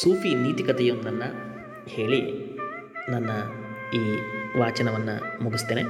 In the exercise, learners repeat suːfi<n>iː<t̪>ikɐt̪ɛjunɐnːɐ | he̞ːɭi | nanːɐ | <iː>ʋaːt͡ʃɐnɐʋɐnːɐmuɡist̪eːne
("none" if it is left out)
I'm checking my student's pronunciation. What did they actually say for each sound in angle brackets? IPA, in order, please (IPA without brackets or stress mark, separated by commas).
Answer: n, t̪, iː